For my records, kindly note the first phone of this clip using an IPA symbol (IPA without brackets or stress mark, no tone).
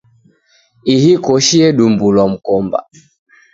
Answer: i